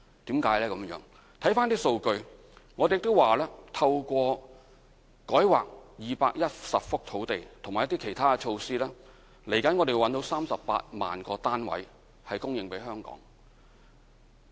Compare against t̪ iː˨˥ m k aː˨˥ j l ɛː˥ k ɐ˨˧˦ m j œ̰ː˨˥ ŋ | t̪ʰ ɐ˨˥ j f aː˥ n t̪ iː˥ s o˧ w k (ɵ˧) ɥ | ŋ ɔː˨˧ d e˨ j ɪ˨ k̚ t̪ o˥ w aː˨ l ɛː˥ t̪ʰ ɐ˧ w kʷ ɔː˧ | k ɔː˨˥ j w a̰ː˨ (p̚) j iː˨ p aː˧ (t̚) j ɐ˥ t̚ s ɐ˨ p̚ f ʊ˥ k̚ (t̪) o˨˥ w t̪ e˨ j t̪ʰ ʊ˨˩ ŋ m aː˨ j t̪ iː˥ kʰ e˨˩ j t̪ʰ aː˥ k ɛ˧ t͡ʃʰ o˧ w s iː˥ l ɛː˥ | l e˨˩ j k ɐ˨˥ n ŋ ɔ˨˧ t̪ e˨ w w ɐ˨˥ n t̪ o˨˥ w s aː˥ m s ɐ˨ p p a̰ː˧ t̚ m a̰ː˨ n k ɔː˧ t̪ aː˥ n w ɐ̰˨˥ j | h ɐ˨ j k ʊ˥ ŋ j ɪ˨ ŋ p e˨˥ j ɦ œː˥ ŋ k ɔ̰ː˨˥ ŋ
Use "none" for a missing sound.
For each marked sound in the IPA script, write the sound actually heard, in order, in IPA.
ɵ˧, k̚, k̚, t̪ʰ

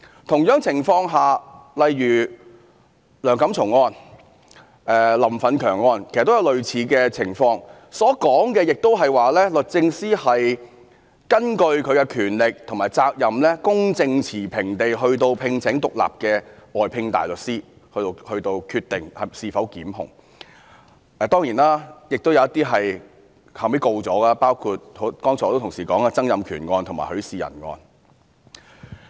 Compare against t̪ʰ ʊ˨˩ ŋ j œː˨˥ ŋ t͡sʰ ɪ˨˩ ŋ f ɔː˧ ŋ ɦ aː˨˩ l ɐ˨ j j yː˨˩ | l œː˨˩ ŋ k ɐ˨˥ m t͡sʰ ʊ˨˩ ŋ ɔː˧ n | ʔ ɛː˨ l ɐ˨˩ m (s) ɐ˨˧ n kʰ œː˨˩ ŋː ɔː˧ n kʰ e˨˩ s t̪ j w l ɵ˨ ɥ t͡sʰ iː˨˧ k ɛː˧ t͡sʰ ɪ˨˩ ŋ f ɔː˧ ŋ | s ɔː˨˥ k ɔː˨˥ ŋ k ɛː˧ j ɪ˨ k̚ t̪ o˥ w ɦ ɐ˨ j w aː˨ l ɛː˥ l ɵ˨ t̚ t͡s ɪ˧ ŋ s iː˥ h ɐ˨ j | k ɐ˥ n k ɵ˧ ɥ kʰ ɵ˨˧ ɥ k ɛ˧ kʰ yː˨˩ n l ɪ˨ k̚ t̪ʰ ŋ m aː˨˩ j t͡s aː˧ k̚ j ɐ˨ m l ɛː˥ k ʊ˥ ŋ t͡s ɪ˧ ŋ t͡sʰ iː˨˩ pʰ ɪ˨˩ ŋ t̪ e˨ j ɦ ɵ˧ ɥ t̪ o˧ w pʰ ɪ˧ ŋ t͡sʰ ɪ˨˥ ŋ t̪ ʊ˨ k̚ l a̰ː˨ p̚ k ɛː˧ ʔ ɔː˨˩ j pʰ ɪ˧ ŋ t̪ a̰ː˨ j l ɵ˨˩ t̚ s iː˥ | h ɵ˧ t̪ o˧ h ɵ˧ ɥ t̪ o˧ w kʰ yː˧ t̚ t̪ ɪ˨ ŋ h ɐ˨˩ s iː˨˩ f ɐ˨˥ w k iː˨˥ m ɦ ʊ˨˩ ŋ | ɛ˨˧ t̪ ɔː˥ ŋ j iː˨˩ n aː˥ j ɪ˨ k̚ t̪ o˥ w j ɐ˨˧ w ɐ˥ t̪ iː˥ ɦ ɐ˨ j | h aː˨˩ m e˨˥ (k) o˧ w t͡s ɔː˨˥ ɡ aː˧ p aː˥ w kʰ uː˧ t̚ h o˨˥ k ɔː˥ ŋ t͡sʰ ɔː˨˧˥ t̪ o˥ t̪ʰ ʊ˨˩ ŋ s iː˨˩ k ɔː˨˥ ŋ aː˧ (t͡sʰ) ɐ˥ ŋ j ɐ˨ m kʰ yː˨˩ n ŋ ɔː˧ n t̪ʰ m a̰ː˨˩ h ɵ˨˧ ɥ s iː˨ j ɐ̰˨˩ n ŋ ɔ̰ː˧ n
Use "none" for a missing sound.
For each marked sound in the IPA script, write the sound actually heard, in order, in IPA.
f, k, t͡s

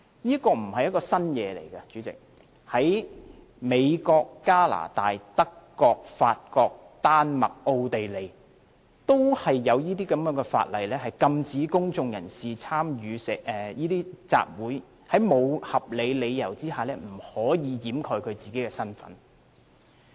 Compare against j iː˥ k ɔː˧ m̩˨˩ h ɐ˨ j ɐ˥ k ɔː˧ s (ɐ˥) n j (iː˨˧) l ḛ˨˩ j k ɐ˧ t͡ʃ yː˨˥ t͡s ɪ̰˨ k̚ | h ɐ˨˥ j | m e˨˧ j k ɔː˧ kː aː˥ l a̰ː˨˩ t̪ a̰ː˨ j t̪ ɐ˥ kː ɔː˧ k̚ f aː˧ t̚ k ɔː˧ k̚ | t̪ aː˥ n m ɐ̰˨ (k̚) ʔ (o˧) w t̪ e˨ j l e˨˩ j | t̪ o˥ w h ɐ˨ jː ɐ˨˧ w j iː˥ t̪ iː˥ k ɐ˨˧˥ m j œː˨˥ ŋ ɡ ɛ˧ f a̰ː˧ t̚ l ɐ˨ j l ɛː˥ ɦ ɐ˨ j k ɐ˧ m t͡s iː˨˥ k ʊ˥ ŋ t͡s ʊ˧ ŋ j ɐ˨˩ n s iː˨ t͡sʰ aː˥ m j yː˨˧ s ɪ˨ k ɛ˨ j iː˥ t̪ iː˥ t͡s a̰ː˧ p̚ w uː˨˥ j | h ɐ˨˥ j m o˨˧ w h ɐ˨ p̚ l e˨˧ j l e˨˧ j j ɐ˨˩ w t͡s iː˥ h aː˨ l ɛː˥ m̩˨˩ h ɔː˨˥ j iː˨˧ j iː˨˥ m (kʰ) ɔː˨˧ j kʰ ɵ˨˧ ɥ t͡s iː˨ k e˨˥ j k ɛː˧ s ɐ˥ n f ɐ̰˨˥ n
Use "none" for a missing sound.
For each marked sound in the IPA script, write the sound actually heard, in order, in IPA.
ɐ˥, ɛː˨˧, k̚, o˧, kʰ

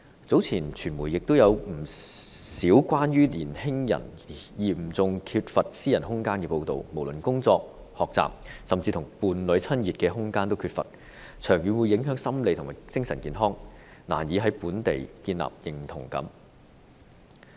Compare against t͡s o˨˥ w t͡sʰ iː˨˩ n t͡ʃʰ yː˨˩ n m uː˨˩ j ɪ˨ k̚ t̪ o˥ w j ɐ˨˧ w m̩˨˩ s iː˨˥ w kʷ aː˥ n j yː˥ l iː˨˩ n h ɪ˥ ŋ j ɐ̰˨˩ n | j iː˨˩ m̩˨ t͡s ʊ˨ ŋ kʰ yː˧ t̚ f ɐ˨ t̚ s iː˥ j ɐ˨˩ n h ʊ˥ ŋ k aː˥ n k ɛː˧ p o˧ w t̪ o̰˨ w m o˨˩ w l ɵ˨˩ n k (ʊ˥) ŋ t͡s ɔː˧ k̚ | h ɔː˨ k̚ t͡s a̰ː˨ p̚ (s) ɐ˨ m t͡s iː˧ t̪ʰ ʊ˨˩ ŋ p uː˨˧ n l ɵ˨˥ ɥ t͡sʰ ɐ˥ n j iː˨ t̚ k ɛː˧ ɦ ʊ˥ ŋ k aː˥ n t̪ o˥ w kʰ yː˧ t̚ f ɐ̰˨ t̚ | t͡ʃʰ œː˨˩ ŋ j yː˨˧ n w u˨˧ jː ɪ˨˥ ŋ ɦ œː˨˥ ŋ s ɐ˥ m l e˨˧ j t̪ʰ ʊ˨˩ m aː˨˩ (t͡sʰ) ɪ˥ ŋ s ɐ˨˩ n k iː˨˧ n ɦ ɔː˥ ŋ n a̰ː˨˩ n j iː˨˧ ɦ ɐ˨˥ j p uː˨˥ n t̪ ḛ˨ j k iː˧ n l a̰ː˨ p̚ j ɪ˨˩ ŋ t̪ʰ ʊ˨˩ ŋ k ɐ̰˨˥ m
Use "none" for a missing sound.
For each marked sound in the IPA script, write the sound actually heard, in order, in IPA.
ʊ˥, s, t͡s

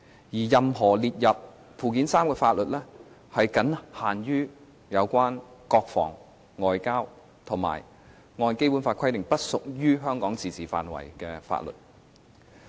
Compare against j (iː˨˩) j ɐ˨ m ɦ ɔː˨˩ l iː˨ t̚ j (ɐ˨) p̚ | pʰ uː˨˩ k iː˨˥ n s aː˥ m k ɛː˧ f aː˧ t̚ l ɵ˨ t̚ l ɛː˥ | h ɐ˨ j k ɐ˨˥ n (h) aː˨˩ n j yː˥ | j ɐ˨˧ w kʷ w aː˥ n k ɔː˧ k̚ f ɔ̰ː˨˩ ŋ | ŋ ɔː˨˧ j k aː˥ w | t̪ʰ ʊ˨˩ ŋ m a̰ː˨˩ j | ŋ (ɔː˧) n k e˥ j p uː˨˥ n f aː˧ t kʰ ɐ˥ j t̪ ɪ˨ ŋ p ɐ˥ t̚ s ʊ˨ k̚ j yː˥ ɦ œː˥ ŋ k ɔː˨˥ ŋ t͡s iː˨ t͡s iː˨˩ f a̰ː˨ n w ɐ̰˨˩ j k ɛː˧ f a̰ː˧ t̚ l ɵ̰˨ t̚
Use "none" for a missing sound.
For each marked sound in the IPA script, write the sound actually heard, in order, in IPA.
iː˨˩, ɐ˨, h, ɔː˧

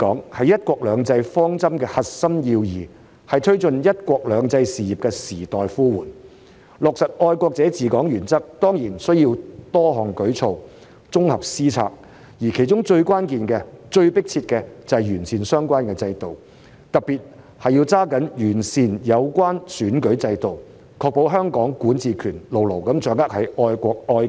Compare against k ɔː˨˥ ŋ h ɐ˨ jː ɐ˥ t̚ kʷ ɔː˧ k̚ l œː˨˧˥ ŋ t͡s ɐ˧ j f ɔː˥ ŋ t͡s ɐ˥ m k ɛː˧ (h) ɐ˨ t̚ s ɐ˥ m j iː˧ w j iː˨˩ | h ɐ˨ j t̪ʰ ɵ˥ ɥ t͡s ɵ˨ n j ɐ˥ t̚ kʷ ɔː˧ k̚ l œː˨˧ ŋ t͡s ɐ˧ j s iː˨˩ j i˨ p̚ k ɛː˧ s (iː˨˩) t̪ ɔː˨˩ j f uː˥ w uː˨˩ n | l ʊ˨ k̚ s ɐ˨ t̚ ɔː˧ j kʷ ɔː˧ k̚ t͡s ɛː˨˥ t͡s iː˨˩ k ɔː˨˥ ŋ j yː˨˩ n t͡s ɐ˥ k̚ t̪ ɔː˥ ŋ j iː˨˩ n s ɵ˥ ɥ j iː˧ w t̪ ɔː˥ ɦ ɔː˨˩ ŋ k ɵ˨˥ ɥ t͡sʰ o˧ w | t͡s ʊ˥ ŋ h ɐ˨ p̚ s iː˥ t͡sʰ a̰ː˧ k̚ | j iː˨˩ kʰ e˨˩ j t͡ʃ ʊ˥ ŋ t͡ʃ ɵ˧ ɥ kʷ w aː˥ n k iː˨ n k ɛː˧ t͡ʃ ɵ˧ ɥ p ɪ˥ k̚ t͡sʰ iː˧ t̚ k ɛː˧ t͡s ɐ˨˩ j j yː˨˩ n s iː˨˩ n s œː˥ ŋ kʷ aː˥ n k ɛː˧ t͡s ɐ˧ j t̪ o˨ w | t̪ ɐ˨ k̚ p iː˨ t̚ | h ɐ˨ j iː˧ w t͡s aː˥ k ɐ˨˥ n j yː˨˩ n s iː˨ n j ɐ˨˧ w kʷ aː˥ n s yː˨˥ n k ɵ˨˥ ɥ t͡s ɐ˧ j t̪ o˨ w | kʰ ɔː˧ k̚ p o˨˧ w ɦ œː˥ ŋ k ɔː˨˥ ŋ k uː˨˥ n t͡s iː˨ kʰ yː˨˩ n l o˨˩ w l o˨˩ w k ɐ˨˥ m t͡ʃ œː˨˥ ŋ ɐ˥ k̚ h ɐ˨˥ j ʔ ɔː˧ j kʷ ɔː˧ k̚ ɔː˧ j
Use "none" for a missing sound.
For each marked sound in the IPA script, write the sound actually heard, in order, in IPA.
h, iː˨˩

